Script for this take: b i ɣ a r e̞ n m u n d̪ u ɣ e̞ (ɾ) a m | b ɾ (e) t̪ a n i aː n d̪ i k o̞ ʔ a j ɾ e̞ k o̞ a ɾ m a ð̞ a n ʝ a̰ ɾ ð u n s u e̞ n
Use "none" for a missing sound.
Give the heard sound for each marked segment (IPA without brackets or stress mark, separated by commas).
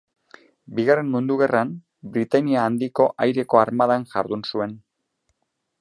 r, i